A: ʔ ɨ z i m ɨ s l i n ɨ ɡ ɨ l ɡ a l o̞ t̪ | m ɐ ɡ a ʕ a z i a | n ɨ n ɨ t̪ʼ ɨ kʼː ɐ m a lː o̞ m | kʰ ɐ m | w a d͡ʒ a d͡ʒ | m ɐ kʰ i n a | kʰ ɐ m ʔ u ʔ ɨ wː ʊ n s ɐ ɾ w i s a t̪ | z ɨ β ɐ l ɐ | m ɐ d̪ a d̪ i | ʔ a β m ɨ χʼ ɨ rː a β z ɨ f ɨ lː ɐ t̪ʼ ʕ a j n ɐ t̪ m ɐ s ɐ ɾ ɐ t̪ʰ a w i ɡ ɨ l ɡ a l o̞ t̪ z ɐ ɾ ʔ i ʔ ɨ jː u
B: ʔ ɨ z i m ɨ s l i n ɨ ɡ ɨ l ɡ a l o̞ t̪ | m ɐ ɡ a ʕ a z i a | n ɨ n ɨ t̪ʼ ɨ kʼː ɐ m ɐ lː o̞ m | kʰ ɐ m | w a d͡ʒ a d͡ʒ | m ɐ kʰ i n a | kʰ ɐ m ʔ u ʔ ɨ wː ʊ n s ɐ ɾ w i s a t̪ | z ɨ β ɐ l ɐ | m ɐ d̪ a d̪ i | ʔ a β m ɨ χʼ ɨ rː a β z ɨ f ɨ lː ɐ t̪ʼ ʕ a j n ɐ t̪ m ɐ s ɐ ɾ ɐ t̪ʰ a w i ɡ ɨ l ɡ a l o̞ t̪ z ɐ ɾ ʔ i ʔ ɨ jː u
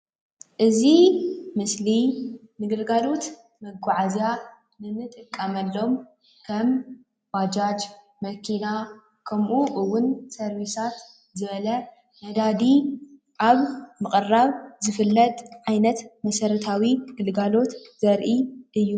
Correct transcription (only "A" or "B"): B